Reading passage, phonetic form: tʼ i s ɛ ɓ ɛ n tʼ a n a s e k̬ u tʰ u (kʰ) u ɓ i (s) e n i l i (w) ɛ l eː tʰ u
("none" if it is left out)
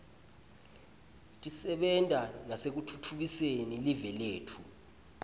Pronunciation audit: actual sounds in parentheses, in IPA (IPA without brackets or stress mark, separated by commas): tʰ, s, v